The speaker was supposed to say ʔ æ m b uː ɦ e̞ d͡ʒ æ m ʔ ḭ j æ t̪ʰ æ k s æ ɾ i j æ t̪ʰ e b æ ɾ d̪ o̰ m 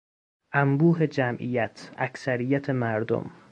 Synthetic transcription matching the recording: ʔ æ m b uː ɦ e̞ d͡ʒ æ m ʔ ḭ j æ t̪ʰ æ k s æ ɾ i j æ t̪ʰ e m æ ɾ d̪ o̰ m

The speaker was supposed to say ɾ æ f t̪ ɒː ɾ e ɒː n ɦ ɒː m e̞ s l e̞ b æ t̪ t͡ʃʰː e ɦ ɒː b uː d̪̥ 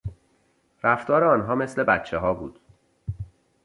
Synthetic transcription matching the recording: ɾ æ f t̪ ɒː ɾ e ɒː n ɦ ɒː m e̞ s l e̞ b æ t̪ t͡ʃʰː e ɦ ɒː b uː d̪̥

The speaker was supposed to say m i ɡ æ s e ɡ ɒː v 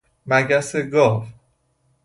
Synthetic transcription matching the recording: m æ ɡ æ s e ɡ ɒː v

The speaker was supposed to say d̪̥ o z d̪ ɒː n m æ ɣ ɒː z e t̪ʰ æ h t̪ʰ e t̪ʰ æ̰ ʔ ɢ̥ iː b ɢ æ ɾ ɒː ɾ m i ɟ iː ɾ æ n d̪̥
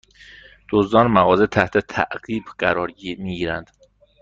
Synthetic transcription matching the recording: d̪̥ o z d̪ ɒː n m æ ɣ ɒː z e t̪ʰ æ h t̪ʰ e t̪ʰ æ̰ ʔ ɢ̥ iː b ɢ æ ɾ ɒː ɾ m i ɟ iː ɾ æ n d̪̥

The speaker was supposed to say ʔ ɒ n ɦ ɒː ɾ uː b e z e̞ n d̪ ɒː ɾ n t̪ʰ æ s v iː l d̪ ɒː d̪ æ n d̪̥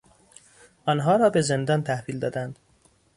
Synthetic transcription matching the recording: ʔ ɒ n ɦ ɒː ɾ ɒː b e z e̞ n d̪ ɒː n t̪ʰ æ h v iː l d̪ ɒː d̪ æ n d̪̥

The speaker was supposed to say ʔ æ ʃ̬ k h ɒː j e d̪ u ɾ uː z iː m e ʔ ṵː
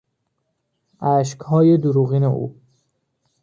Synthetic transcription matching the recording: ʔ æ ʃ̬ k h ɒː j e d̪ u ɾ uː ɣ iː n e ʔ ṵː

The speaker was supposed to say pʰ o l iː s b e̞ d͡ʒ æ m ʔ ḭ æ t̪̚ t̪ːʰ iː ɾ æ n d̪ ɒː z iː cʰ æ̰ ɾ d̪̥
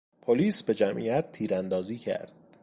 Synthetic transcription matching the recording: pʰ o l iː s b e̞ d͡ʒ æ m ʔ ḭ æ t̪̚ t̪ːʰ iː ɾ æ n d̪ ɒː z iː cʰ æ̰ ɾ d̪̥

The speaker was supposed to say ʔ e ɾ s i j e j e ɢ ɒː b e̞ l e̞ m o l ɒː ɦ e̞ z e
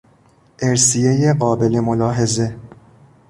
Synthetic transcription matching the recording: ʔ e ɾ s i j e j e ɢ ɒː b e̞ l e̞ m o l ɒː ɦ e̞ z e

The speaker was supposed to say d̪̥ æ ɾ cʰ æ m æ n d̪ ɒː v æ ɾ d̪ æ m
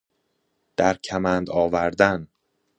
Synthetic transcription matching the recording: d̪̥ æ ɾ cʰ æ m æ n d̪ ɒː v æ ɾ d̪ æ n

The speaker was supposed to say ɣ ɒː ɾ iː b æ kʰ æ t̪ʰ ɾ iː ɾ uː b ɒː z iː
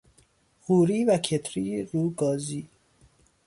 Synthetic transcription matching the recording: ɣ uː ɾ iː v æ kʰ e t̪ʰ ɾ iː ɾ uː ɡ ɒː z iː

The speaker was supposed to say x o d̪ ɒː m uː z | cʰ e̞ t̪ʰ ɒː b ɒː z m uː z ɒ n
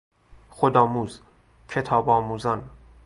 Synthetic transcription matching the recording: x o d̪ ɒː m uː z | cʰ e̞ t̪ʰ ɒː b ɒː m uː z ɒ n

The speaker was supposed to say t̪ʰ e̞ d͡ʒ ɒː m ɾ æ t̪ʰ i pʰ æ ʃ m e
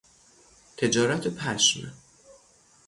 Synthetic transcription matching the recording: t̪ʰ e̞ d͡ʒ ɒː ɾ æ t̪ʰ e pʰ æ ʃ m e

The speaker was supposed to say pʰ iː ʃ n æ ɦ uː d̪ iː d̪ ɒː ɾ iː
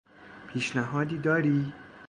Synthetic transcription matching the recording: pʰ iː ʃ n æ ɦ ɒː d̪ iː d̪ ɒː ɾ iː

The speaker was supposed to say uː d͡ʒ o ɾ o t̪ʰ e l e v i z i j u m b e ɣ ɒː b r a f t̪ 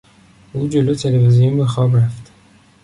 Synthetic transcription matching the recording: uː d͡ʒ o l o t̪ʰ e l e v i z i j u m b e x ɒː b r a f t̪

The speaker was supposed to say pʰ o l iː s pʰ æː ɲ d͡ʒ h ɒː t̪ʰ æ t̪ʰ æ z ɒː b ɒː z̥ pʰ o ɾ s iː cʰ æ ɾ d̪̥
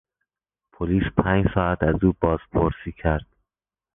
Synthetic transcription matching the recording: pʰ o l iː s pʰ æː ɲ d͡ʒ s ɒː æ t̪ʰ æ z uː b ɒː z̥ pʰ o ɾ s iː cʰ æ ɾ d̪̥

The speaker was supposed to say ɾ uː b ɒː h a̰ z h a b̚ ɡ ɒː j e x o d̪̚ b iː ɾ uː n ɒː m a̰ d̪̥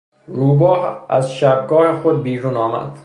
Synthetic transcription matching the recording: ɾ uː b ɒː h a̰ z ʃ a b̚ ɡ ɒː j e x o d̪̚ b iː ɾ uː n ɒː m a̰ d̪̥

